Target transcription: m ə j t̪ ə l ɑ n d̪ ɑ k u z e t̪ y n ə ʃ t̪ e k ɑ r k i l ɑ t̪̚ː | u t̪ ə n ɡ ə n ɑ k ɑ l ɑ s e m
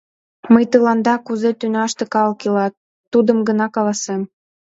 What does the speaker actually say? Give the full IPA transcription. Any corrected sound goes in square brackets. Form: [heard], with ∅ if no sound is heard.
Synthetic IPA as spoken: m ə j t̪ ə l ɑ n d̪ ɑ k u z e t̪ y n [ɑ] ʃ t̪ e k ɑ [l] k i l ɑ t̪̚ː | u [d̪] ə [m] ɡ ə n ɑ k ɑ l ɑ s e m